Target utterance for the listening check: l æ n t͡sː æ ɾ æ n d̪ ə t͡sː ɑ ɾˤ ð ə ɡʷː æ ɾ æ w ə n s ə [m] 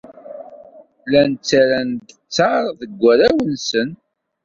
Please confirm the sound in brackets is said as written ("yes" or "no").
no